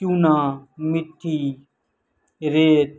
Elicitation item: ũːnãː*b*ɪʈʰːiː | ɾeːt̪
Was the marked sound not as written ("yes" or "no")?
yes